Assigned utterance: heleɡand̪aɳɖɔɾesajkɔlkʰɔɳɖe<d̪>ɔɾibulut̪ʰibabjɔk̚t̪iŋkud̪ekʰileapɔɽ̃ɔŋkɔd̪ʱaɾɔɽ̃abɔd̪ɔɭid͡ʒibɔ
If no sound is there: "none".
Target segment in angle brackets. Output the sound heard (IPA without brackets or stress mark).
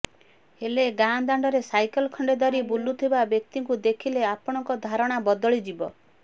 d̪